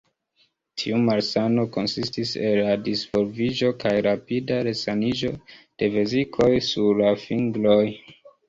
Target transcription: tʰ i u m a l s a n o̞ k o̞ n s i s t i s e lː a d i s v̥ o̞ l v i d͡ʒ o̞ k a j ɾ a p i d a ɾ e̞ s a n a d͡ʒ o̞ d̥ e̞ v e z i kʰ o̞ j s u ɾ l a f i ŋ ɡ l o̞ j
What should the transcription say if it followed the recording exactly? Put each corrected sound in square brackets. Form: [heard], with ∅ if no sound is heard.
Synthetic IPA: tʰ i u m a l s a n o̞ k o̞ n s i s t i s e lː a d i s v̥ o̞ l v i d͡ʒ o̞ k a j ɾ a p i d a ɾ e̞ s a n [i] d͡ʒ o̞ d̥ e̞ v e z i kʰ o̞ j s u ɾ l a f i ŋ ɡ l o̞ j